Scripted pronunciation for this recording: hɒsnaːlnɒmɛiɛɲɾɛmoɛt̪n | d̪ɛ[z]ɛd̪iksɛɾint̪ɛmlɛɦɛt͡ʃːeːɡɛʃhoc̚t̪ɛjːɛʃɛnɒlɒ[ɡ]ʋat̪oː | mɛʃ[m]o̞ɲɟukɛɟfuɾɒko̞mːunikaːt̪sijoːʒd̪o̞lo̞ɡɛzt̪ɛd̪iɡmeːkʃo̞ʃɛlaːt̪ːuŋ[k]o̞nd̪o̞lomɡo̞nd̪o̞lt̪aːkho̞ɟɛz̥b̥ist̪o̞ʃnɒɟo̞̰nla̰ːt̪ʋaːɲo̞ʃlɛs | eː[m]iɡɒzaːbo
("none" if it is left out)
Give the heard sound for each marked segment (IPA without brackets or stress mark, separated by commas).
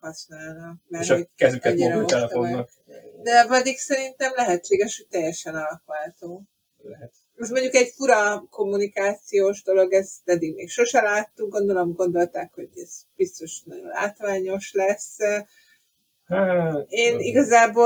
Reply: v, k, m, ɡ, n